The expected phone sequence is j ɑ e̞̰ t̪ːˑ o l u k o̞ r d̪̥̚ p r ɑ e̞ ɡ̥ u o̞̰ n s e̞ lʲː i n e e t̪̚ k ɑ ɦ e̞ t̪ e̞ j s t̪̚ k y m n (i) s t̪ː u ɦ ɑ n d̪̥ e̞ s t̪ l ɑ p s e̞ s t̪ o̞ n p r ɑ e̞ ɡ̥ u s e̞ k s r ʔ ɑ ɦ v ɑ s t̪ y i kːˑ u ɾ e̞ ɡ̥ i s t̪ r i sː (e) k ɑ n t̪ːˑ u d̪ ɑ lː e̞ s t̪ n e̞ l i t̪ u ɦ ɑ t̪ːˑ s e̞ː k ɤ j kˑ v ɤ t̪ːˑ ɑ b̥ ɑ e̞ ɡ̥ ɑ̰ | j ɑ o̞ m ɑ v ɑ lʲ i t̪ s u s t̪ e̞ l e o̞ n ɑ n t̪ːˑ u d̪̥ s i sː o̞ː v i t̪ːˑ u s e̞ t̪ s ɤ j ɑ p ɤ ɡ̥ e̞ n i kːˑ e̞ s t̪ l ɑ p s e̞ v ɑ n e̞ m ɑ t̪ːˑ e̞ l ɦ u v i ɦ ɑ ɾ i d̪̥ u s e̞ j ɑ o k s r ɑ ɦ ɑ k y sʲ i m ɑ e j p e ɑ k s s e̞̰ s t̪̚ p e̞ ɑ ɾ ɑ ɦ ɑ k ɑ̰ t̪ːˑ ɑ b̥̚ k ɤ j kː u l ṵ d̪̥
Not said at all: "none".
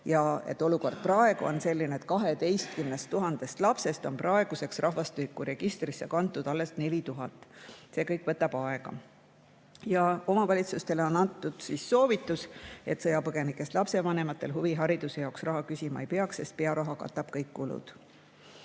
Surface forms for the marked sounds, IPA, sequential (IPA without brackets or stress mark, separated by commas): e, e